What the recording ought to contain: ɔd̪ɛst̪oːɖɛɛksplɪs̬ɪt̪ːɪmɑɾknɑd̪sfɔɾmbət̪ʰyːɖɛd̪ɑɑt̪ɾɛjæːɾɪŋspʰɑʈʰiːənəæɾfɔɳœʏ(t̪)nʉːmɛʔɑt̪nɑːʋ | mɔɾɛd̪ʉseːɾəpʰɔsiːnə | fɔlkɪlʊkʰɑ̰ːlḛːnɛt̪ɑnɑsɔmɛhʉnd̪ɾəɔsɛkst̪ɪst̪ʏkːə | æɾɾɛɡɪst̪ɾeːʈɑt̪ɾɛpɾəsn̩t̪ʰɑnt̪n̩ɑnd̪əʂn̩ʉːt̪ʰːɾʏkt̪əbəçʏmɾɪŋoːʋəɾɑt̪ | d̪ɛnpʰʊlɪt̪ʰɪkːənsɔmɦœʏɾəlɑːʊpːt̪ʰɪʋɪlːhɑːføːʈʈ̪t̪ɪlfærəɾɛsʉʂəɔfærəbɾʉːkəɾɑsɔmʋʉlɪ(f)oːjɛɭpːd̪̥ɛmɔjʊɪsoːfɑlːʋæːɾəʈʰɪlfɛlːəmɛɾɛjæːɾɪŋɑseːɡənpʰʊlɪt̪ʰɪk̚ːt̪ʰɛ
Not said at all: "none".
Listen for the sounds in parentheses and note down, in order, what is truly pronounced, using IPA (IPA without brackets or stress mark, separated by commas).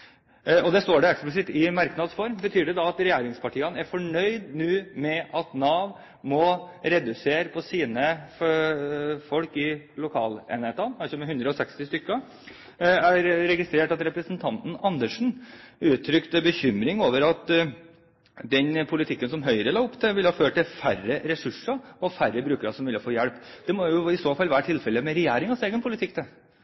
d̪, f